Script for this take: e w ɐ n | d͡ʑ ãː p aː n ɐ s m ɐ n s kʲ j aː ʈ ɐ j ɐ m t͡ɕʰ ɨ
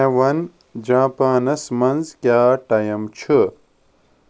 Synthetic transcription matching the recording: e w ɐ n | d͡ʑ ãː p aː n ɐ s m ɐ n z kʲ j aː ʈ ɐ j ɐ m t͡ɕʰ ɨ